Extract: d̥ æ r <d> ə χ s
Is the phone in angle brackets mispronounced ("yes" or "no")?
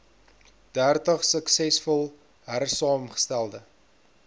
yes